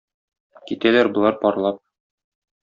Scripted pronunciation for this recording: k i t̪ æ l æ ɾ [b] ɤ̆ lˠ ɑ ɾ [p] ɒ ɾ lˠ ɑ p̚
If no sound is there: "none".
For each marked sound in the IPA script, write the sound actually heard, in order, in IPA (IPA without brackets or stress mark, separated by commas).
b, p